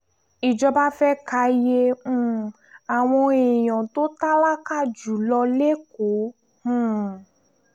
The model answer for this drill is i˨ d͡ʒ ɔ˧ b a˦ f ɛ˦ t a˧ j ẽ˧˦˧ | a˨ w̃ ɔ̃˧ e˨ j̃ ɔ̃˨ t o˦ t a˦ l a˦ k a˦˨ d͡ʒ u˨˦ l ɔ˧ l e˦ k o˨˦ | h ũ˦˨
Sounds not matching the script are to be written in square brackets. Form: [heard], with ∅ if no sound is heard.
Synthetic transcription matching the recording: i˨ d͡ʒ ɔ˧ b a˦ f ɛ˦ [k] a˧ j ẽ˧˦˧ | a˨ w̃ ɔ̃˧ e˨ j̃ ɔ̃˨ t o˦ t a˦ l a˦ k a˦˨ d͡ʒ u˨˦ l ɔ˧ l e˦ k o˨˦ | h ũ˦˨